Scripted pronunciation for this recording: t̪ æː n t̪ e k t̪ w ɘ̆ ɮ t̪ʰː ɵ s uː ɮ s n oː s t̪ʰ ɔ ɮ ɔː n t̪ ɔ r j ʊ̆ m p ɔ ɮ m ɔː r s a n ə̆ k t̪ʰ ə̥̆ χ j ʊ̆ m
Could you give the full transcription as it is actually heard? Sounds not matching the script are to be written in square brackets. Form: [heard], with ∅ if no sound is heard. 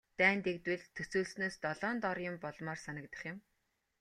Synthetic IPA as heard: t̪ æː n t̪ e k t̪ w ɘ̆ ɮ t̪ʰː ɵ s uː ɮ s n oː s [t̪] ɔ ɮ ɔː n t̪ ɔ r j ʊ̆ m p ɔ ɮ m ɔː r s a n ə̆ k [t̪] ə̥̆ χ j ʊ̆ m